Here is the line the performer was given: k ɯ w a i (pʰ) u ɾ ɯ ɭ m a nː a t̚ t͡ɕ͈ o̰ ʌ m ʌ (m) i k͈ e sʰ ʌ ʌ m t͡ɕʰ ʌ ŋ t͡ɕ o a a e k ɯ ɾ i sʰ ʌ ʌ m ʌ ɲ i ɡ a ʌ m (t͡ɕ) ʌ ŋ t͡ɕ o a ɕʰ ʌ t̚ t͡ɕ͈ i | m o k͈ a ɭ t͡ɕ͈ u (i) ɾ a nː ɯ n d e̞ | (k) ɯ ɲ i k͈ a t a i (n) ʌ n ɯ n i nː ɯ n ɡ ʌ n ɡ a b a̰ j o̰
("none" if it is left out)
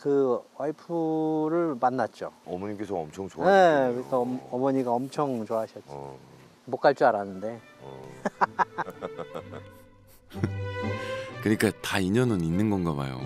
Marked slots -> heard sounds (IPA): pʰ, ɲ, t͡ɕʰ, a, k, ɲ

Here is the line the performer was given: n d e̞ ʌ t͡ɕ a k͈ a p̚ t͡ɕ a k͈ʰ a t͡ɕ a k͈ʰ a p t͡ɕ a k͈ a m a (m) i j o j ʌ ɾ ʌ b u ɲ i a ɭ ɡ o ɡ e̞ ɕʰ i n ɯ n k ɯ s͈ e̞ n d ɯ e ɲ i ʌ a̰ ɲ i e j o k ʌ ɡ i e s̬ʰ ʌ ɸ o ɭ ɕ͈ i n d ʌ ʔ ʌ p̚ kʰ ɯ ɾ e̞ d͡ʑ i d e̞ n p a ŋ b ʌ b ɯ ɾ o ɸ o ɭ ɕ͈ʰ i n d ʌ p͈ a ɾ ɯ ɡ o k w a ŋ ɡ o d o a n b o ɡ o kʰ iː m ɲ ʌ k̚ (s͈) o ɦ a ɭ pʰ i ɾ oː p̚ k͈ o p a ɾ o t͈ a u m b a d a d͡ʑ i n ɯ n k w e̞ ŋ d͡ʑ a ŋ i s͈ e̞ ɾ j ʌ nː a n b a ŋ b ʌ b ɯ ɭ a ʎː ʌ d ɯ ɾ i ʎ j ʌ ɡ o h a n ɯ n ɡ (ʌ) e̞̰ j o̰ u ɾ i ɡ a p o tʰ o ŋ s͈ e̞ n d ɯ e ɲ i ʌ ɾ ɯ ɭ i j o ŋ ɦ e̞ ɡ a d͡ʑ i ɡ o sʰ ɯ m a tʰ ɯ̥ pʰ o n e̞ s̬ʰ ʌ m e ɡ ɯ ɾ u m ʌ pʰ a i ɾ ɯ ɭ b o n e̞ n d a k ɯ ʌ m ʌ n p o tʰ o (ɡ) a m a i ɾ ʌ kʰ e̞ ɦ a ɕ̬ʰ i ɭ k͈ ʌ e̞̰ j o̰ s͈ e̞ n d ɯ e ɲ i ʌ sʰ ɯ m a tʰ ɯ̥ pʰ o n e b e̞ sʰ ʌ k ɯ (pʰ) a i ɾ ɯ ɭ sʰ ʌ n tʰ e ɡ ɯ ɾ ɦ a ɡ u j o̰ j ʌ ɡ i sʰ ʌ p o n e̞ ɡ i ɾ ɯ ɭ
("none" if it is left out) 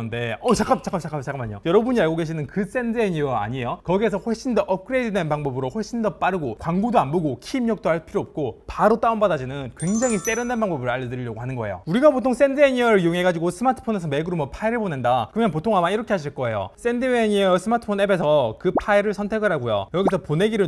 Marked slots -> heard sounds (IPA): ɲ, t͈, ʌ, ŋ, pʰ

